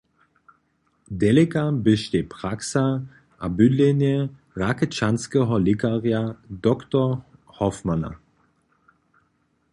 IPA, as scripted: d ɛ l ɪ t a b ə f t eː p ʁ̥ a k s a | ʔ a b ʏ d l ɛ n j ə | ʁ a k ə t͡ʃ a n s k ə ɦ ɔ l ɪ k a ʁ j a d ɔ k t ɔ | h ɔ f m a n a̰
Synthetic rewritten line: d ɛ l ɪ k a b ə ʃ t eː p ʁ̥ a k s a | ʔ a b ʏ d l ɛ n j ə | ʁ a k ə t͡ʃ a n s k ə ɦ ɔ l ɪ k a ʁ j a d ɔ k t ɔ | h ɔ f m a n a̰